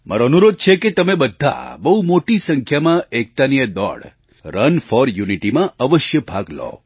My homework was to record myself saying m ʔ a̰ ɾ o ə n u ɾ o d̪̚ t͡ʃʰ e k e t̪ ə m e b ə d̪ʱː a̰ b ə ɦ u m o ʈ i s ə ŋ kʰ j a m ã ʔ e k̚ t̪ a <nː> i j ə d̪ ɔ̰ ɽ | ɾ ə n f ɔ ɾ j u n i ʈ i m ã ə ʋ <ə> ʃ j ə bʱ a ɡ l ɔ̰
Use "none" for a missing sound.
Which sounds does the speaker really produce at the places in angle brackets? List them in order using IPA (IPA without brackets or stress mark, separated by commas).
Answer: n, ə